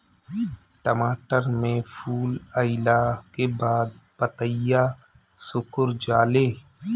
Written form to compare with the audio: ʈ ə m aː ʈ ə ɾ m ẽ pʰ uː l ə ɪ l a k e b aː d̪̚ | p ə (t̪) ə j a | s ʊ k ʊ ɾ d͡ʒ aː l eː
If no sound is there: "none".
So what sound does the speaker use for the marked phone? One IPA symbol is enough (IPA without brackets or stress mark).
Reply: t̪